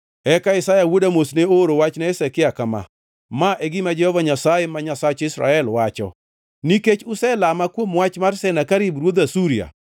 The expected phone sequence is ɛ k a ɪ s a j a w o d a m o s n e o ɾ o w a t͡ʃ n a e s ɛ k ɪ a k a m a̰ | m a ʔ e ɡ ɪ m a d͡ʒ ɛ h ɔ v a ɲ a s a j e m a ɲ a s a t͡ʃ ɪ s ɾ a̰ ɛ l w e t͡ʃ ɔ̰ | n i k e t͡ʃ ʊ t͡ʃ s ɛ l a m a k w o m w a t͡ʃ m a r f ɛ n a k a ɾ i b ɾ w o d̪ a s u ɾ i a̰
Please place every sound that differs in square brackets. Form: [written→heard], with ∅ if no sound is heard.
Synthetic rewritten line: ɛ k a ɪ s a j a w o d a m o s n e o ɾ o w a t͡ʃ n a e s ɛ k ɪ a k a m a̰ | m a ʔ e ɡ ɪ m a d͡ʒ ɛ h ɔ v a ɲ a s a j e m a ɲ a s a t͡ʃ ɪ s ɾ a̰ ɛ l w [e→a] t͡ʃ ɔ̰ | n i k e t͡ʃ ʊ [t͡ʃ→∅] s ɛ l a m a k w o m w a t͡ʃ m a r [f→s] ɛ n a k a ɾ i b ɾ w o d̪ a s u ɾ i a̰

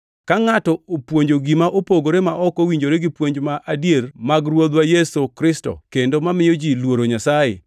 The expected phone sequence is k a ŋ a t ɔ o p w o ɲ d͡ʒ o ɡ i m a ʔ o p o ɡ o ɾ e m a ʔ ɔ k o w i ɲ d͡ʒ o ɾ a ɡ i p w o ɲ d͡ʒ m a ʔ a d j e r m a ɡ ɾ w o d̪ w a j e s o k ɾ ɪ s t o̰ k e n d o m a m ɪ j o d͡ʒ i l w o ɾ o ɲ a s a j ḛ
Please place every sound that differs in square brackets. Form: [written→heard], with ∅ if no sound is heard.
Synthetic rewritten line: k a ŋ a t ɔ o p w o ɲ d͡ʒ o ɡ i m a ʔ o p o ɡ o ɾ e m a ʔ ɔ k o w i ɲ d͡ʒ o ɾ [a→e] ɡ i p w o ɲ d͡ʒ m a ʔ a d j e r m a ɡ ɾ w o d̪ w a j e s o k ɾ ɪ s t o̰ k e n d o m a m ɪ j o d͡ʒ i l w o ɾ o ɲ a s a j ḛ

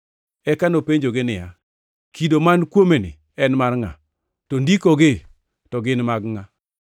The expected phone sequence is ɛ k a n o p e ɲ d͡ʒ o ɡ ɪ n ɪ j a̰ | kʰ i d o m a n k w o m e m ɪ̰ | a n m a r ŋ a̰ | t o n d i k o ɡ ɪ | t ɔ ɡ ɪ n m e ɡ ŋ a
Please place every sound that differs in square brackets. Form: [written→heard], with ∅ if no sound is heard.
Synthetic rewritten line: ɛ k a n o p e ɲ d͡ʒ o ɡ ɪ n ɪ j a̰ | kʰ i d o m a n k w o m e [m→n] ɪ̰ | [a→ɛ] n m a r ŋ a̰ | t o n d i k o ɡ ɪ | t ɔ ɡ ɪ n m [e→a] ɡ ŋ a

